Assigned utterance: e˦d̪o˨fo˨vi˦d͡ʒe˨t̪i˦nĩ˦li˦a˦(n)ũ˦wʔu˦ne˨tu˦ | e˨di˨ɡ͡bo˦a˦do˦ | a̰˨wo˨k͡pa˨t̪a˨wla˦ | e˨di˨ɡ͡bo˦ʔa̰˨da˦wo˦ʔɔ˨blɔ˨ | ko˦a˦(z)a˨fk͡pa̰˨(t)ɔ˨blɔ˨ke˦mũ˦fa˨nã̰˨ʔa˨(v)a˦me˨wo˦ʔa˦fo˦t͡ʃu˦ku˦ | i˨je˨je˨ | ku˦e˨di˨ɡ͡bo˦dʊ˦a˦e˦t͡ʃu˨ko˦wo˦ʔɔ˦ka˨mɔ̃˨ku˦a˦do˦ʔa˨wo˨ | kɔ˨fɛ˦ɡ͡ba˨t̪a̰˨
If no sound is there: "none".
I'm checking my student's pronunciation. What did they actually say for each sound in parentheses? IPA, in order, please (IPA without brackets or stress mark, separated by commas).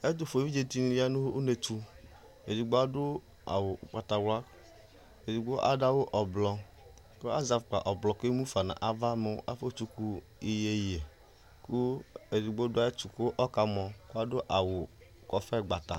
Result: n, z, ʔ, v